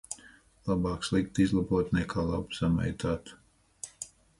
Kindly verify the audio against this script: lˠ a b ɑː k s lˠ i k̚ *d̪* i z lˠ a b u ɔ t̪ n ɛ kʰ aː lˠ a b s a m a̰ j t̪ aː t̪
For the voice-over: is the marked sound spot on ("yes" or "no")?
no